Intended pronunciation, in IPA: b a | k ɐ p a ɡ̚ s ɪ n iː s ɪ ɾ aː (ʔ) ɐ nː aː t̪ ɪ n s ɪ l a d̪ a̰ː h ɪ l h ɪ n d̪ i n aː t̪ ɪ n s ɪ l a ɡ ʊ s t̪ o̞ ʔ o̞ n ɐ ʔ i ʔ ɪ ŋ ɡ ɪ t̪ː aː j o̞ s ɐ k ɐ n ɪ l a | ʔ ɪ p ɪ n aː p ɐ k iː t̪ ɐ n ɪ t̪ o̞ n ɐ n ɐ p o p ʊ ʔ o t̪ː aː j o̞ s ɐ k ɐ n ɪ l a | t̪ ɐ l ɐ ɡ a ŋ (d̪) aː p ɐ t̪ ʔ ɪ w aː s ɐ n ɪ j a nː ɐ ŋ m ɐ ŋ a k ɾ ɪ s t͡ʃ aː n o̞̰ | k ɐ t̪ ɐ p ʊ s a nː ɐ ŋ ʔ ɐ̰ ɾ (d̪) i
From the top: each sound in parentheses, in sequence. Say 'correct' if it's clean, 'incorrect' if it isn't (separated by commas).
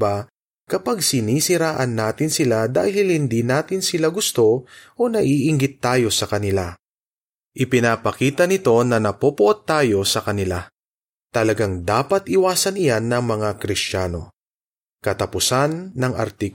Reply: correct, correct, incorrect